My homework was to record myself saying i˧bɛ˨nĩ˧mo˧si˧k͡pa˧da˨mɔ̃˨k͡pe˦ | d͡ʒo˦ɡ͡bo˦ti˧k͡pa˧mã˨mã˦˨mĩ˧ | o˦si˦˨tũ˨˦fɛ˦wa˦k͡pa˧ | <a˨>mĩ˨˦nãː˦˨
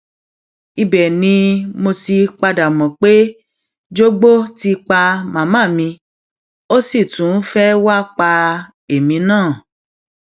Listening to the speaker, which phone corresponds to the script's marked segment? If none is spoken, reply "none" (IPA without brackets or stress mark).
e˨